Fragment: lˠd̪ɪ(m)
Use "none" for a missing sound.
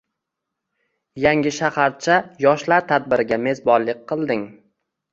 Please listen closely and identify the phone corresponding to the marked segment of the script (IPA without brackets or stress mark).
ŋ